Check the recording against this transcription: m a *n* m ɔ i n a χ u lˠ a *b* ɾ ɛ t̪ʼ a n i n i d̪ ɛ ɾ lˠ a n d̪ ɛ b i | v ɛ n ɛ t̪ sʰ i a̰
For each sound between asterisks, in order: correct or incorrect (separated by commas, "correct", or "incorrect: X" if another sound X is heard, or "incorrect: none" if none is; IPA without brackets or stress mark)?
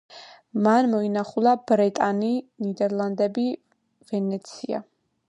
correct, correct